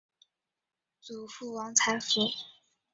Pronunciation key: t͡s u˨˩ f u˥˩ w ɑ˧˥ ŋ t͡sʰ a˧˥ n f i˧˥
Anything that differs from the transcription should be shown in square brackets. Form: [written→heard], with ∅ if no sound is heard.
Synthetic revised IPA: t͡s u˨˩ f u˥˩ w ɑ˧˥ ŋ t͡sʰ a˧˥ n f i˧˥